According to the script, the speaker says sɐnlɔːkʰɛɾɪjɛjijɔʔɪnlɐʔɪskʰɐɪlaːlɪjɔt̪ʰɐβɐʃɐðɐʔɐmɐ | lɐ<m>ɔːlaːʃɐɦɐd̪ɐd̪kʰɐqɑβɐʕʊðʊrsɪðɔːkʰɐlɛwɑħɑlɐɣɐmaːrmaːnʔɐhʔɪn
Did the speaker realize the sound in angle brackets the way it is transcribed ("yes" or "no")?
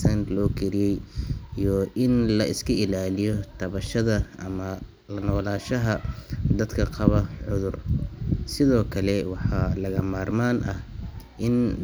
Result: no